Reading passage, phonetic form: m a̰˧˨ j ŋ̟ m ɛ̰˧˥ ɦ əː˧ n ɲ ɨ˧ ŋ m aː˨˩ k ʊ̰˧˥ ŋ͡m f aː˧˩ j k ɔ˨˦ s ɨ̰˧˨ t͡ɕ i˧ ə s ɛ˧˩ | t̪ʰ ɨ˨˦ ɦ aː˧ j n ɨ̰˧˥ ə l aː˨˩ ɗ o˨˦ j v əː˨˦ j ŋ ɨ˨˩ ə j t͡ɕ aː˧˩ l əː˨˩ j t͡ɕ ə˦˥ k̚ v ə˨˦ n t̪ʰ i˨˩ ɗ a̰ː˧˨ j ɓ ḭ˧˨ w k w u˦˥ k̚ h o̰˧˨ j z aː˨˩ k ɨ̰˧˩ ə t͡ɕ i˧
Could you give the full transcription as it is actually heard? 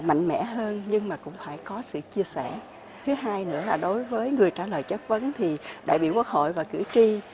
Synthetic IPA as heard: m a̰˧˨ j ŋ̟ m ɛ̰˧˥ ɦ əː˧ n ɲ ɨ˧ ŋ m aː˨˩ k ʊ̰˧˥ ŋ͡m f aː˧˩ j k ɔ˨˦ s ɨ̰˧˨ t͡ɕ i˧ ə s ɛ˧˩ | t̪ʰ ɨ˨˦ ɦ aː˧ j n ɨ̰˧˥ ə l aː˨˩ ɗ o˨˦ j v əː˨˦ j ŋ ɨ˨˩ ə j t͡ɕ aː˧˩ l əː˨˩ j t͡ɕ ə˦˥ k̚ v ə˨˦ n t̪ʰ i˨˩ ɗ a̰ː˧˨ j ɓ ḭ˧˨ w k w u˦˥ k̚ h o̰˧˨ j v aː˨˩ k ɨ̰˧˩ ə t͡ɕ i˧